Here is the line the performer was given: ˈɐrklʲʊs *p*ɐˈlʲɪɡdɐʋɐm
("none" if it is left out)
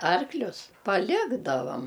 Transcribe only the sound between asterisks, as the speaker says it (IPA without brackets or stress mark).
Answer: p